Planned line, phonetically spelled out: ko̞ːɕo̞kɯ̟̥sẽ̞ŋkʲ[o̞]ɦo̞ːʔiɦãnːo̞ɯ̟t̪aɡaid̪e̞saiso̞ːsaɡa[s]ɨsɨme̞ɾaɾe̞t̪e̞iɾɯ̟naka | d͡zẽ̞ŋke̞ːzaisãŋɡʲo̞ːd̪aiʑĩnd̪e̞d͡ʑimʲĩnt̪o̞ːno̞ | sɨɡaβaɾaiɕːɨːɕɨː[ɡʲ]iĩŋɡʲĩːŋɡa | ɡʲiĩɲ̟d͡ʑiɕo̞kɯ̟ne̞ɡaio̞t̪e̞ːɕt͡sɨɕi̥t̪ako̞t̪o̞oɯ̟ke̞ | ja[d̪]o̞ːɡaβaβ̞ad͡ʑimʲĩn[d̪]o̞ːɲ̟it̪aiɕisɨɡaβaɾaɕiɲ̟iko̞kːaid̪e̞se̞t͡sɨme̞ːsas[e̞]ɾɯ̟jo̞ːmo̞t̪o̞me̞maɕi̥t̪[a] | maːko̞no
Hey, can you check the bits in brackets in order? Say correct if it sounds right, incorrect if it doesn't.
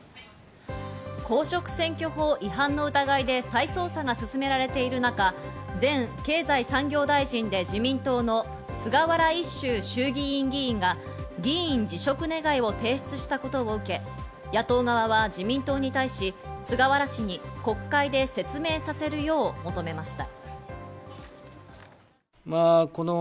correct, correct, correct, incorrect: t̪, incorrect: t̪, correct, correct

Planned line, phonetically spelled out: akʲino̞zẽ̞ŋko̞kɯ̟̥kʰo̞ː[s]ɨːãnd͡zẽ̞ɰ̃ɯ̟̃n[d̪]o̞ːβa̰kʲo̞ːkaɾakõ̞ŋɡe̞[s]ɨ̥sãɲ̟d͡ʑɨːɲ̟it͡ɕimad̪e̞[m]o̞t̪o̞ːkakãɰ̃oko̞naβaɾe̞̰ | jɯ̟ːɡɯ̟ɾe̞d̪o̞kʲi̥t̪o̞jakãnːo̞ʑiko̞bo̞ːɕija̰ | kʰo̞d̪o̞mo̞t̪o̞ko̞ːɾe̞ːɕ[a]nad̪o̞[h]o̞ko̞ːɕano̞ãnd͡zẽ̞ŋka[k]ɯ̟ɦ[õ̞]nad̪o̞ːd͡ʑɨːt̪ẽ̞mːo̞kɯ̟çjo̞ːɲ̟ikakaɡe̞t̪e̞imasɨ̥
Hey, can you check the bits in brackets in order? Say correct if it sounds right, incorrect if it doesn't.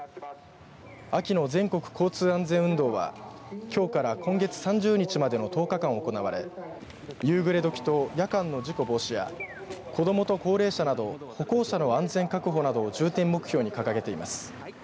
incorrect: t͡s, correct, incorrect: t͡s, incorrect: n, correct, correct, correct, incorrect: o̞

